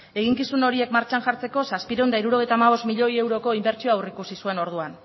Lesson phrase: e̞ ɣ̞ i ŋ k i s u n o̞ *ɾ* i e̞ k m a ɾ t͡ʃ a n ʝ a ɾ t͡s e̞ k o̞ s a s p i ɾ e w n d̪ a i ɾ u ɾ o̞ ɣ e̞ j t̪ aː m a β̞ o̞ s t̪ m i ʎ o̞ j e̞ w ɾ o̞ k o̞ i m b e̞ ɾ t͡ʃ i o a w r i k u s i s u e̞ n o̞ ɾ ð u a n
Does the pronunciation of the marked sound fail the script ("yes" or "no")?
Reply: no